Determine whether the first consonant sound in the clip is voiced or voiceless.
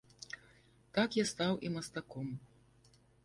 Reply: voiceless